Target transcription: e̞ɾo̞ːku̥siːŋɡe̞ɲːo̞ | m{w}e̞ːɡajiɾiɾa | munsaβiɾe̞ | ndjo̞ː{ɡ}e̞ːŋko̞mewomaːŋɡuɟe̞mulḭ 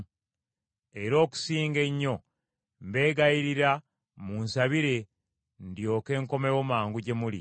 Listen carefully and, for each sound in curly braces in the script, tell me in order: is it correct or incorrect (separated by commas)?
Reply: incorrect, incorrect